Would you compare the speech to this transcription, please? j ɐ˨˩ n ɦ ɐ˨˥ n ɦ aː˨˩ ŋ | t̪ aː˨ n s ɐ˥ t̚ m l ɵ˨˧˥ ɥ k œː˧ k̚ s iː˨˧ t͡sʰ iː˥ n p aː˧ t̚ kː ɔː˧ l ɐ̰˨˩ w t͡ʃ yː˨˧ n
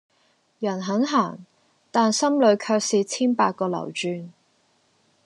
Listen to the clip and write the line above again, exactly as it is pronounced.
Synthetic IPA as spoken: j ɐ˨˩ n ɦ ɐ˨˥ n ɦ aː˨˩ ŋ | t̪ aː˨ n s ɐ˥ m l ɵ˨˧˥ ɥ kʰ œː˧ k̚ s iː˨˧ t͡sʰ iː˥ n p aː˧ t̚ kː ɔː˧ l ɐ̰˨˩ w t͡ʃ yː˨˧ n